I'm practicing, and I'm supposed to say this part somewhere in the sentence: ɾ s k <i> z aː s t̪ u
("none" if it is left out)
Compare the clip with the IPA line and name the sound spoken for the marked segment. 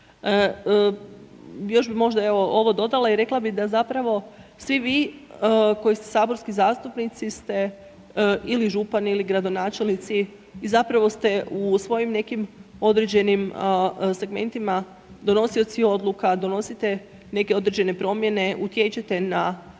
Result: i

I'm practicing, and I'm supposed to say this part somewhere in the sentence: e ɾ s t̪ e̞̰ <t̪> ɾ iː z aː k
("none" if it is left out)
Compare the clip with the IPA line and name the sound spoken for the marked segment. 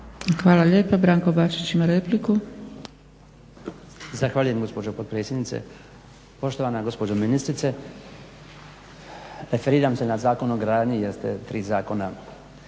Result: t̪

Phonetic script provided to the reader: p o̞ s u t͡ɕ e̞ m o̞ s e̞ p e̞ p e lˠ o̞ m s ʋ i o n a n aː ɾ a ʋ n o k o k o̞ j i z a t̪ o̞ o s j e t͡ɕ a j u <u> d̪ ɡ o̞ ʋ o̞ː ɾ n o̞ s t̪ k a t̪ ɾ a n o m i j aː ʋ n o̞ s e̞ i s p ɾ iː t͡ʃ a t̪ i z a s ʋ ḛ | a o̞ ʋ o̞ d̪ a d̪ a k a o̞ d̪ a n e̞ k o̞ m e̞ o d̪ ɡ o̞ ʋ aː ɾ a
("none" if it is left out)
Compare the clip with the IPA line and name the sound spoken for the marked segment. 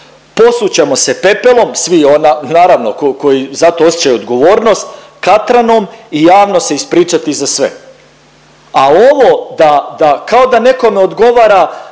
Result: o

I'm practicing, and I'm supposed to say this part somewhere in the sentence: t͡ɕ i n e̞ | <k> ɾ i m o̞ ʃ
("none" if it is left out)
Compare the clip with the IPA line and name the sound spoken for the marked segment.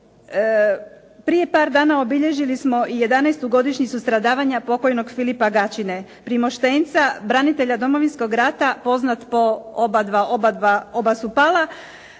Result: p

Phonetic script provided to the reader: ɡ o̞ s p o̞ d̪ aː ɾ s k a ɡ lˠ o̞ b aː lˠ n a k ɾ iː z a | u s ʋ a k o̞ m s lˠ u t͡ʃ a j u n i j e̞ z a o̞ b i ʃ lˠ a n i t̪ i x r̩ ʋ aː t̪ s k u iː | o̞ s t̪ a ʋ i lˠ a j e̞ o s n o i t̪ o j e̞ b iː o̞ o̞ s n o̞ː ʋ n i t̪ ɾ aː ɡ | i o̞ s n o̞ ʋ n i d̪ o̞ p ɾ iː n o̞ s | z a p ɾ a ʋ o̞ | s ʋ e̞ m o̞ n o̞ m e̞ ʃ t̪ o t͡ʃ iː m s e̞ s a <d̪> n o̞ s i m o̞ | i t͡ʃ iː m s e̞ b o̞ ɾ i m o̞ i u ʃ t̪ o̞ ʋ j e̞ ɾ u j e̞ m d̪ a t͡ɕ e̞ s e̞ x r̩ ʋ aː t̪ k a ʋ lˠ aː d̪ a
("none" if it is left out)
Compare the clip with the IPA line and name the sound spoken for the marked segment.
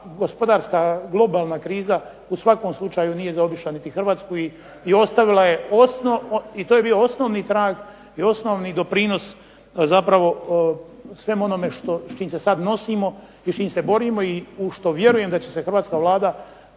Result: d̪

